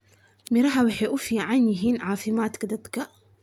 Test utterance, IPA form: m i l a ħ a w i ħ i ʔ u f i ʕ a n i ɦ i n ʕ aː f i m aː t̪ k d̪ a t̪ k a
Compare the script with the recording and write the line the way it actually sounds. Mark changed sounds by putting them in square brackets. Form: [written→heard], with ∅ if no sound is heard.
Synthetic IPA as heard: m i [l→ɾ] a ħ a w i ħ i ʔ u f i ʕ a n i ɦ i n ʕ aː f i m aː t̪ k d̪ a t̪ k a